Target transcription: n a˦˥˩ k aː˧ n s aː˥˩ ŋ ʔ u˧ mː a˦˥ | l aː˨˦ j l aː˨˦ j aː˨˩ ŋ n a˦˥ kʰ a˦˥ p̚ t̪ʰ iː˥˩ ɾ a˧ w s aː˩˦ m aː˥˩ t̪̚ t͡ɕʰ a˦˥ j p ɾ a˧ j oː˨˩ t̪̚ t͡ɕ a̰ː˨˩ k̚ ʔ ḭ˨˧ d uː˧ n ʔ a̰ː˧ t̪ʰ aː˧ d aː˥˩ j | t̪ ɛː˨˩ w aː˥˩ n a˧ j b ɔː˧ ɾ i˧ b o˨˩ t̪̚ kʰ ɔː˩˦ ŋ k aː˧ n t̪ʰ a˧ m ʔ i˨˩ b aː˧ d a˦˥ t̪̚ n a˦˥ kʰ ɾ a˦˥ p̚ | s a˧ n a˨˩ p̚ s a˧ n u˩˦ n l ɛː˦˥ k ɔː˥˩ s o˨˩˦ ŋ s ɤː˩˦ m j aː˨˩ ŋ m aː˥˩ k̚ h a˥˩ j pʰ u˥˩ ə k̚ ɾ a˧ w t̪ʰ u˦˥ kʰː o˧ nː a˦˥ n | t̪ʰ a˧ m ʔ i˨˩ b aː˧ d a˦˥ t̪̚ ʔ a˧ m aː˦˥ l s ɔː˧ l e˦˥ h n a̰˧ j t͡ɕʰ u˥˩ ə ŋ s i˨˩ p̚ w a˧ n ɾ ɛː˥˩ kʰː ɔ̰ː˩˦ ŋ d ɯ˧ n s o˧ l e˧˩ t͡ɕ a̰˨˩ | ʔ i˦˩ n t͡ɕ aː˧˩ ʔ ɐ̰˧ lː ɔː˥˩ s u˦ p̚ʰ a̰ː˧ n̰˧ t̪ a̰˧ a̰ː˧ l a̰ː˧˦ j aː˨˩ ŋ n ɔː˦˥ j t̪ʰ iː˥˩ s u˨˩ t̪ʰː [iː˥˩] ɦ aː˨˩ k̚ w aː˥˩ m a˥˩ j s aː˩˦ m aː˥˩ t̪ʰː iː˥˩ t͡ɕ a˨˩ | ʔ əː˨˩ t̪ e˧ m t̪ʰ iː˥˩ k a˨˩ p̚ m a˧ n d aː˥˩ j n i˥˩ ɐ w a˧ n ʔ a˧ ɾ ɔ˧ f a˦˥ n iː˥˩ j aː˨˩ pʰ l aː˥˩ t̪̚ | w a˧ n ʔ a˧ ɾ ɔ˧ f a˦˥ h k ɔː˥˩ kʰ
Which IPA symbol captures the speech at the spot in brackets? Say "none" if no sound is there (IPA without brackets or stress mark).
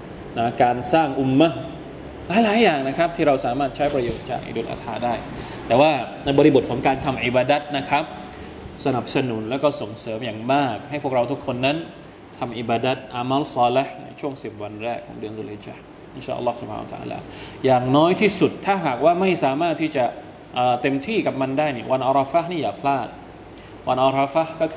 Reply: aː˥˩